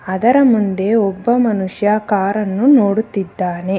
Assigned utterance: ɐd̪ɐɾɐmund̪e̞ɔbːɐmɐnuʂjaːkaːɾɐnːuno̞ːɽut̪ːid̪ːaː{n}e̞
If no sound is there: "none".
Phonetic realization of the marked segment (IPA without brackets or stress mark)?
n